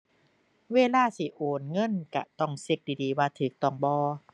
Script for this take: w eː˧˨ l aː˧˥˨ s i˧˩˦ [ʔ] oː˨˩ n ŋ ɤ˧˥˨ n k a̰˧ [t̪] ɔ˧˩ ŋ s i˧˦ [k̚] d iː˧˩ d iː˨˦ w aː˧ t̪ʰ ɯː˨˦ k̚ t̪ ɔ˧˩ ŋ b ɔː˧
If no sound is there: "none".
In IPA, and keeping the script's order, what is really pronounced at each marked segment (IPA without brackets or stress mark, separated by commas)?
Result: ʔ, t̪, k̚